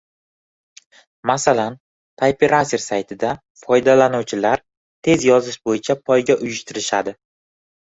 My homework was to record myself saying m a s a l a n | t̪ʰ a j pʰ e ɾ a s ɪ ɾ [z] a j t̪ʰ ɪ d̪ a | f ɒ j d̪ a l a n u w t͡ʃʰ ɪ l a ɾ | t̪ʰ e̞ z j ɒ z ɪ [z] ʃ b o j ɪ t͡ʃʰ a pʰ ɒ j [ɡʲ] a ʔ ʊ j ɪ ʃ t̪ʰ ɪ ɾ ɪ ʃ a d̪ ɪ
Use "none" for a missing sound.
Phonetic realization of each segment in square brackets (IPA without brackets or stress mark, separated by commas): s, none, ɡʲ